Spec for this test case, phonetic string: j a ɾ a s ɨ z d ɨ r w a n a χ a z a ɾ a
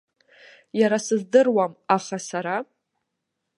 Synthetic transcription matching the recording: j a ɾ a s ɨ z d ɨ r w a m a χ a s a ɾ a